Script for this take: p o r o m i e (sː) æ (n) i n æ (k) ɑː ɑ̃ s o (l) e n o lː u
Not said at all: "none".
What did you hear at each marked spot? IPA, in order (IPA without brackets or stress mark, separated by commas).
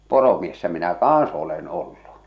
sː, m, k, l